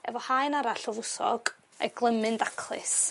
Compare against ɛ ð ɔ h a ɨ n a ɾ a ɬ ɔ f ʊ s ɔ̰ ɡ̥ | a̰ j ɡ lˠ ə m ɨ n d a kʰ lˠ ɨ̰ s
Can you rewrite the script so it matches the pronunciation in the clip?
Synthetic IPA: ɛ v ɔ h a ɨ n a ɾ a ɬ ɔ v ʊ s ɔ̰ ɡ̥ | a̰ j ɡ lˠ ə m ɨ n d a kʰ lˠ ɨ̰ s